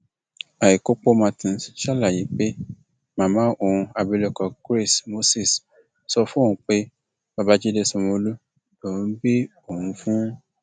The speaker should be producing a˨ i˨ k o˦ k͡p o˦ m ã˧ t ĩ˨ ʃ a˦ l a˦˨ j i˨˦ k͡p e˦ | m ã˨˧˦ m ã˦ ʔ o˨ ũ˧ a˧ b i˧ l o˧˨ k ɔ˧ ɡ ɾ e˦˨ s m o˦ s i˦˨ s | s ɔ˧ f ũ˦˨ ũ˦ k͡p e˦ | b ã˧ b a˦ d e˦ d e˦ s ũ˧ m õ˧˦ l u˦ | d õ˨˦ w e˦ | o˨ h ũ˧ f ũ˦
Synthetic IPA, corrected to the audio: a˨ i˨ k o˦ k͡p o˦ m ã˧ t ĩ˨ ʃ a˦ l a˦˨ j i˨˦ k͡p e˦ | m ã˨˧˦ m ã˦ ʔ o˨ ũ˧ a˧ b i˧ l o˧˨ k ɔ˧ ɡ ɾ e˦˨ s m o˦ s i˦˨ s | s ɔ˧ f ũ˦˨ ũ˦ k͡p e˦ | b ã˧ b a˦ d͡ʒ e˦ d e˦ s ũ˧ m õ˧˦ l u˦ | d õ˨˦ b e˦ | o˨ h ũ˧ f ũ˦

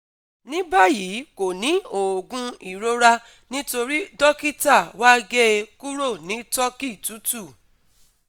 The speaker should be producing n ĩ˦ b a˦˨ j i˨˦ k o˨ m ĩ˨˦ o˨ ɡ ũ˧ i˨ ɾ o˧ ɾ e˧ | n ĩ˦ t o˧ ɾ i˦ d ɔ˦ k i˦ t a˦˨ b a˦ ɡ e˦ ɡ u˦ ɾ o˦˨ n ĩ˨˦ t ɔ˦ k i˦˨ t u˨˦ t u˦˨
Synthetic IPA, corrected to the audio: n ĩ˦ b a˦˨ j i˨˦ k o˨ n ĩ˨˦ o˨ ɡ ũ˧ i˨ ɾ o˧ ɾ a˧ | n ĩ˦ t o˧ ɾ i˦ d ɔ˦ k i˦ t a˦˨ w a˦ ɡ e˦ k u˦ ɾ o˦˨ n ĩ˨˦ t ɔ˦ k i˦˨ t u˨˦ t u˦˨

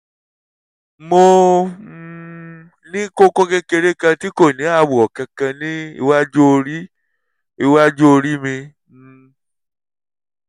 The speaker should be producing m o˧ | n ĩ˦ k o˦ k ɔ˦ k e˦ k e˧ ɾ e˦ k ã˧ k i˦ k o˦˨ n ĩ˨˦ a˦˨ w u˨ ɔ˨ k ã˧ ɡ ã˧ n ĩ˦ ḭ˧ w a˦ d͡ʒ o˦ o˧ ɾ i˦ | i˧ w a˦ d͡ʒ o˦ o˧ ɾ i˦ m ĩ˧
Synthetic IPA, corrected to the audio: m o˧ | n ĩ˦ k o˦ k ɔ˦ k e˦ k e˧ ɾ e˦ k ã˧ t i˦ k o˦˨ n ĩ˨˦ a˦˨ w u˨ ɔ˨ k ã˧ k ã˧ n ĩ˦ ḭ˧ w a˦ d͡ʒ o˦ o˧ ɾ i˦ | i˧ w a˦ d͡ʒ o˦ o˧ ɾ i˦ m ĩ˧

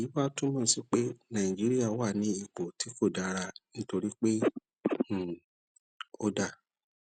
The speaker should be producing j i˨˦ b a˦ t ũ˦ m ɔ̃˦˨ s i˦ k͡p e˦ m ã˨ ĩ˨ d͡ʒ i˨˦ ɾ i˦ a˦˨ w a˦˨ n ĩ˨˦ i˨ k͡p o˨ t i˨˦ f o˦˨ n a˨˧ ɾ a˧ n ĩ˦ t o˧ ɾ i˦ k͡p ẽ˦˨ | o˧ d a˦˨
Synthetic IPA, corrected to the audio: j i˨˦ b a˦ t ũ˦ m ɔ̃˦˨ s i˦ k͡p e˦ n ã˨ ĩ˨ d͡ʒ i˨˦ ɾ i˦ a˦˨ w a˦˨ n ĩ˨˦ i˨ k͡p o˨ t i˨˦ f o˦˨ d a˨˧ ɾ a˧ n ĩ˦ t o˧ ɾ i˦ k͡p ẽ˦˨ | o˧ d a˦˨

